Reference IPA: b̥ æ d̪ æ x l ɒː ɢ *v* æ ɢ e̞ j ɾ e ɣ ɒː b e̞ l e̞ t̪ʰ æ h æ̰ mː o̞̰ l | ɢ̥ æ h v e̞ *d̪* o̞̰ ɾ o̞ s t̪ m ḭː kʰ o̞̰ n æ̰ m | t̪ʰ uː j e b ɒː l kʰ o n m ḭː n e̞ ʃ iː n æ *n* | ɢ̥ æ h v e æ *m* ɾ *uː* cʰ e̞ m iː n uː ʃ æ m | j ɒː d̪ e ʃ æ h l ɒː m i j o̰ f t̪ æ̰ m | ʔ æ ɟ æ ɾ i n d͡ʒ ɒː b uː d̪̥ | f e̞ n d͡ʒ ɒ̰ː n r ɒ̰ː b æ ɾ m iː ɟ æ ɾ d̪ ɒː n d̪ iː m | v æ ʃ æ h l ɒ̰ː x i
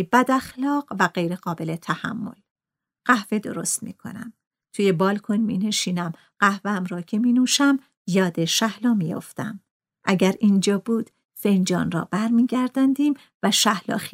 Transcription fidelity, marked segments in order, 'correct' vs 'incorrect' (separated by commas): correct, correct, incorrect, correct, incorrect